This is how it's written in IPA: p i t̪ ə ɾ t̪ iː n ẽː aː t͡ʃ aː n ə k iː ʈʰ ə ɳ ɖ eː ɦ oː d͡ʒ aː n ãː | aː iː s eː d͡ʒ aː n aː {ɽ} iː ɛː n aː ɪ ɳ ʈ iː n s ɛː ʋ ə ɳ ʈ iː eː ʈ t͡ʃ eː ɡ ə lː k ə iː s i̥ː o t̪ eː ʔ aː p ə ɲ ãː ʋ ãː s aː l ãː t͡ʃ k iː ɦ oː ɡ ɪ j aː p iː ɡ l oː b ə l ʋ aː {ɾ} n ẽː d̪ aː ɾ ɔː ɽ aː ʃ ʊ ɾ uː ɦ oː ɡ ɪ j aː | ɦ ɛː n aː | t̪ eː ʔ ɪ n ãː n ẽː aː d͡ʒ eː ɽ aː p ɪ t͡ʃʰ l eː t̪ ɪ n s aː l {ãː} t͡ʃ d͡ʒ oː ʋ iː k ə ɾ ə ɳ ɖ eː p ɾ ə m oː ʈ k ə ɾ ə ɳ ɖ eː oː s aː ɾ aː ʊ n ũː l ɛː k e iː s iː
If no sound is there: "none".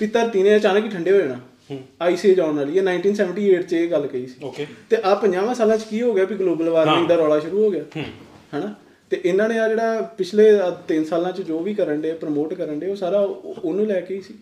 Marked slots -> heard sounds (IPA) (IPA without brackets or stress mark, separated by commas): l, ɾ, ãː